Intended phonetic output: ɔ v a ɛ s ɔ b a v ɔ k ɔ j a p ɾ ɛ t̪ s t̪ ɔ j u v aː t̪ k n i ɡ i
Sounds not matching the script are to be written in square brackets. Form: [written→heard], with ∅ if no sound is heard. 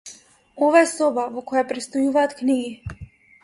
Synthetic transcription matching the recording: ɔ v a ɛ s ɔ b a v ɔ k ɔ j a p ɾ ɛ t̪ s t̪ ɔ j u v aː t̪ k n i ɡ i